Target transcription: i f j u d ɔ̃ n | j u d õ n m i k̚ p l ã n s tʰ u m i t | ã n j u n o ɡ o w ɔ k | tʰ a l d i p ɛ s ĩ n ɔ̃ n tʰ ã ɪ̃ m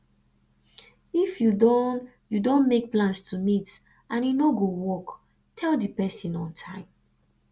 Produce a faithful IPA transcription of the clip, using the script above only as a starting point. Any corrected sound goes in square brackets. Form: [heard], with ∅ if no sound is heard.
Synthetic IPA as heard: i f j u d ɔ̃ n | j u d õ n m [e] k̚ p l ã n s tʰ u m i t | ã n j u n o ɡ o w ɔ k | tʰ [ɛ] l d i p ɛ s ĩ n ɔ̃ n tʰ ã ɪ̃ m